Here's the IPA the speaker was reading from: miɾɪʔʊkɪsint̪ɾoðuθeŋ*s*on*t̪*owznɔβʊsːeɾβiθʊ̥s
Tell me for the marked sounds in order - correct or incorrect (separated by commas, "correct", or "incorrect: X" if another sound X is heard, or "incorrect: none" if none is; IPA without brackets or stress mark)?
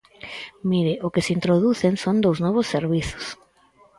correct, incorrect: d̪